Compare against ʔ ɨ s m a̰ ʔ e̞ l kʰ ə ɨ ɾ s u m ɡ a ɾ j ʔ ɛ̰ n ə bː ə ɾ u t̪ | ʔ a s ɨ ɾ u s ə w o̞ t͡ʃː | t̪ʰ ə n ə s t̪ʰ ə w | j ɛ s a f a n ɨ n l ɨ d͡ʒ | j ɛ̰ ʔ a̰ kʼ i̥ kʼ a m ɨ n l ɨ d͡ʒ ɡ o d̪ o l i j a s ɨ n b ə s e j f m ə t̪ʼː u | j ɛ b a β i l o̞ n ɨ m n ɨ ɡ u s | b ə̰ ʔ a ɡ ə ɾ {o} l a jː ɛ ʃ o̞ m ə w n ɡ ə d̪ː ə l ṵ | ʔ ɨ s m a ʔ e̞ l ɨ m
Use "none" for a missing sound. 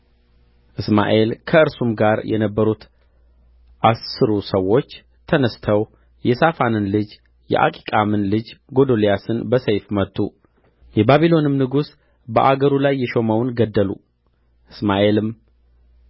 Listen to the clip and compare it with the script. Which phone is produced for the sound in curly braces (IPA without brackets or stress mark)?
u